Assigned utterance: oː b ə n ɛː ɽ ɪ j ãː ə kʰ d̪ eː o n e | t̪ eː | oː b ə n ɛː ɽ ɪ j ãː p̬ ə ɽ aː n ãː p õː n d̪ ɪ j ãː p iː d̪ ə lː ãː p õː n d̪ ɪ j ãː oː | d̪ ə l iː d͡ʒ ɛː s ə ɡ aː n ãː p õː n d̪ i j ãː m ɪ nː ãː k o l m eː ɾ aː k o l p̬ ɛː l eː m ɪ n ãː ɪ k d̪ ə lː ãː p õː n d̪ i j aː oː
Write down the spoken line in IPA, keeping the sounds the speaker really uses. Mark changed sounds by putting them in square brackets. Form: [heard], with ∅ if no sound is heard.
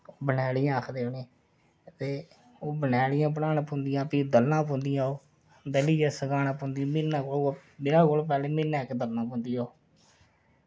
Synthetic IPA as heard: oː b ə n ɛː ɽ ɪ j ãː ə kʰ d̪ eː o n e | t̪ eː | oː b ə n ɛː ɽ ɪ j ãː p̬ ə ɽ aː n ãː p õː n d̪ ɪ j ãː p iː d̪ ə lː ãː p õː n d̪ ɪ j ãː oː | d̪ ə l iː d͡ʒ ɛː s ə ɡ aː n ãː p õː n d̪ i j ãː m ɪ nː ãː k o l m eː ɾ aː k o l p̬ ɛː l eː m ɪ n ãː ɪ k d̪ ə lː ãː p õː n d̪ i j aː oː

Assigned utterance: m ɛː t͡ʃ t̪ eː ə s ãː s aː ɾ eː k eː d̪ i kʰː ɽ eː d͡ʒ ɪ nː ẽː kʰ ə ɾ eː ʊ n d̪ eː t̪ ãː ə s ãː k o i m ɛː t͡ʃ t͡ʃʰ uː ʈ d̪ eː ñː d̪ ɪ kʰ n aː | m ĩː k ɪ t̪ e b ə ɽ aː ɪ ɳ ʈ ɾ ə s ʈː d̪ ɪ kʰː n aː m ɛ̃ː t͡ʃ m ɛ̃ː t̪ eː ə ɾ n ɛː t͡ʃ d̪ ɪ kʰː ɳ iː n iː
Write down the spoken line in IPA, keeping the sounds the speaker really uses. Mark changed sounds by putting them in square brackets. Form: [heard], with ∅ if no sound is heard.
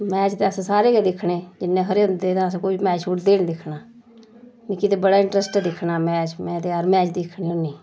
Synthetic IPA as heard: m ɛː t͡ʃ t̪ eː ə s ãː s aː ɾ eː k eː d̪ [ɪ] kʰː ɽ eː d͡ʒ ɪ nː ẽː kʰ ə ɾ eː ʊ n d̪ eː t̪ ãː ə s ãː k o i m ɛː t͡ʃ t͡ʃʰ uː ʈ d̪ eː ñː d̪ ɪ kʰ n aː | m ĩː k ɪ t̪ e b ə ɽ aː ɪ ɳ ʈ ɾ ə s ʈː d̪ ɪ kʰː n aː m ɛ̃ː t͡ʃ m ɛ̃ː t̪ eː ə ɾ [m] ɛː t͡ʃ d̪ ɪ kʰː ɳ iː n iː

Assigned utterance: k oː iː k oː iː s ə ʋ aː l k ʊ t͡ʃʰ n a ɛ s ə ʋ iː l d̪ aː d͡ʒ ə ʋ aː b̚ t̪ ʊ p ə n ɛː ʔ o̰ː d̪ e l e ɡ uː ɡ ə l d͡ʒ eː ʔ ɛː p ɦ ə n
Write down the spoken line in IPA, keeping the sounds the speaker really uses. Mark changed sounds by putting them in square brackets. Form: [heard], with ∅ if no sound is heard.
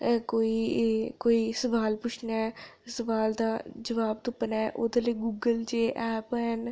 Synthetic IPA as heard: k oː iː k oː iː s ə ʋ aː l [p] ʊ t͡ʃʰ n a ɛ s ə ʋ [aː] l d̪ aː d͡ʒ ə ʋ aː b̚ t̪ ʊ p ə n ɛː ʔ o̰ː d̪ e l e ɡ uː ɡ ə l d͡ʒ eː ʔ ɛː p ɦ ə n

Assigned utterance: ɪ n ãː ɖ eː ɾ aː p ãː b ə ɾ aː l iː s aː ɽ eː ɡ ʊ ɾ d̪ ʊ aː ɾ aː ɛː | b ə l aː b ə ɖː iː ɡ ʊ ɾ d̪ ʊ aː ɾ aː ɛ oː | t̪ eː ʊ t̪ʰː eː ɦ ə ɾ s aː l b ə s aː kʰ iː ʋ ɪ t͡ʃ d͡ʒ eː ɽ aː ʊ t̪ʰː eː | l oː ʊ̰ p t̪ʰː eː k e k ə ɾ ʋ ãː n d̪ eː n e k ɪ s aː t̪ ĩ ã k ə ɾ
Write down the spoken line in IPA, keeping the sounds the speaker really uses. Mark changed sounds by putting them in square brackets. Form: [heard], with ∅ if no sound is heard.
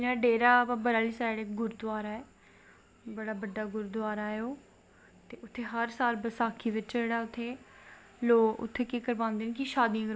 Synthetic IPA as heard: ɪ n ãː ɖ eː ɾ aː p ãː b ə ɾ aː l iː s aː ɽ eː ɡ ʊ ɾ d̪ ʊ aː ɾ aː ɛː | b ə [ɽ] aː b ə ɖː [aː] ɡ ʊ ɾ d̪ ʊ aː ɾ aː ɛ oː | t̪ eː ʊ t̪ʰː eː ɦ ə ɾ s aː l b ə s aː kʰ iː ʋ ɪ t͡ʃ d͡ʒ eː ɽ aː ʊ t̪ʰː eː | l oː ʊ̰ [∅] t̪ʰː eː k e k ə ɾ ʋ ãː n d̪ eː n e k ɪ [ʃ] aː [d̪] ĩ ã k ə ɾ

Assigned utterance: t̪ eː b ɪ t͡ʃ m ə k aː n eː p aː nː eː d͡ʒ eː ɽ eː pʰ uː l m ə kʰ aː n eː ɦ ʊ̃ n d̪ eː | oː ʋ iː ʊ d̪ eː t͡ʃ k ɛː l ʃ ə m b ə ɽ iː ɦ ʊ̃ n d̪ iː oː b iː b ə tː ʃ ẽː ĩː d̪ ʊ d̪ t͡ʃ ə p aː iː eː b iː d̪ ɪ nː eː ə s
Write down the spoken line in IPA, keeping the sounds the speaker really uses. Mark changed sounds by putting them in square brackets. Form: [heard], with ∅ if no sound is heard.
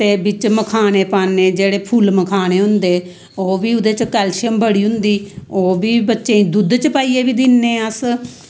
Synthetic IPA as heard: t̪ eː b ɪ t͡ʃ m ə [kʰ] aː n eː p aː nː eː d͡ʒ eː ɽ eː pʰ uː l m ə kʰ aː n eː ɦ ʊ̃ n d̪ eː | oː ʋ iː ʊ d̪ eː t͡ʃ k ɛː l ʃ ə m b ə ɽ iː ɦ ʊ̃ n d̪ iː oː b iː b ə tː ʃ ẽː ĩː d̪ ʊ d̪ t͡ʃ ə p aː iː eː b iː d̪ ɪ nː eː ə s

